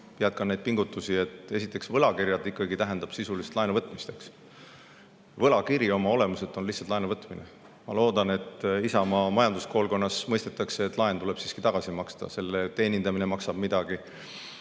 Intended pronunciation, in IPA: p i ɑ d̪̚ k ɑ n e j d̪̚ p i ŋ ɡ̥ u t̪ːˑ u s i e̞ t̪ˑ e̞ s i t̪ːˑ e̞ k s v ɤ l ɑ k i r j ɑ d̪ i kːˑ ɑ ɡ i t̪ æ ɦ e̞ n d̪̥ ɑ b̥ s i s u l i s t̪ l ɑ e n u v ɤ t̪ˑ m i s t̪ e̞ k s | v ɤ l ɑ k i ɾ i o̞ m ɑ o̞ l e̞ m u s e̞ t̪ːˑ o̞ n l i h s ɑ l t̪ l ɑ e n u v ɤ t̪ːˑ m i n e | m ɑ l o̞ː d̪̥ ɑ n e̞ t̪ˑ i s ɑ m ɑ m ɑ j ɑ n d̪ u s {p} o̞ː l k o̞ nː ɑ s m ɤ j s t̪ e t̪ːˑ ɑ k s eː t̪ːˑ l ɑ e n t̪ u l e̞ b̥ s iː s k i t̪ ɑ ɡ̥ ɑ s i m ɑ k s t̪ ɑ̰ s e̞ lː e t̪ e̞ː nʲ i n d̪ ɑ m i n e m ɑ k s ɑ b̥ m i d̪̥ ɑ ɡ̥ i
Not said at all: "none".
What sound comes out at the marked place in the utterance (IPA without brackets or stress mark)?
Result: k